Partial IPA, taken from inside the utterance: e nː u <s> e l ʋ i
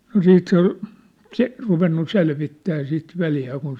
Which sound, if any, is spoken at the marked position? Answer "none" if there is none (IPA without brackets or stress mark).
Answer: s